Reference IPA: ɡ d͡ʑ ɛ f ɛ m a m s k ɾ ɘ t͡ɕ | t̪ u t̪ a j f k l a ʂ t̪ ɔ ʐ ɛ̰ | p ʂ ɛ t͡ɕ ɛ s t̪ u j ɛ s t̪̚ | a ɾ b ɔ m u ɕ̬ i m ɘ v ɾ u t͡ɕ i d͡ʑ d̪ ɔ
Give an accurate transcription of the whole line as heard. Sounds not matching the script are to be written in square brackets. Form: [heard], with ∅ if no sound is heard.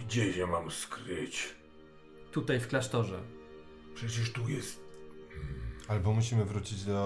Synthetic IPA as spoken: ɡ d͡ʑ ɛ [ɕ] ɛ m a m s k ɾ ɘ t͡ɕ | t̪ u t̪ a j f k l a ʂ t̪ ɔ ʐ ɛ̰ | p ʂ ɛ t͡ɕ ɛ [ʂ] t̪ u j ɛ s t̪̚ | a [l] b ɔ m u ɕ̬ i m ɘ v ɾ u t͡ɕ i d͡ʑ d̪ ɔ